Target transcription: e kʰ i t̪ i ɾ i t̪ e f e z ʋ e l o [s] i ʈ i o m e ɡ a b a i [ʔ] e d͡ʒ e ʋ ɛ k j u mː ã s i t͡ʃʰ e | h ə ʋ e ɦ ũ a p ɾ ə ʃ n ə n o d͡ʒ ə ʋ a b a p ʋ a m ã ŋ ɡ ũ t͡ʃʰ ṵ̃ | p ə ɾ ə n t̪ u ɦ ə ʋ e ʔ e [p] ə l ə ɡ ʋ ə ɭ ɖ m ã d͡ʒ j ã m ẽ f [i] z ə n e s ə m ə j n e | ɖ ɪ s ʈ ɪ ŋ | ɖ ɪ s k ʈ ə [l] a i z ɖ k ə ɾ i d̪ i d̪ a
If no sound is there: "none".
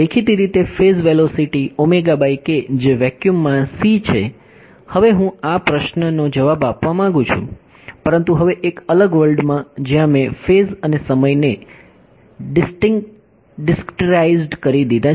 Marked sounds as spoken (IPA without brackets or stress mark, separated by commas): s, k, k, e, ɾ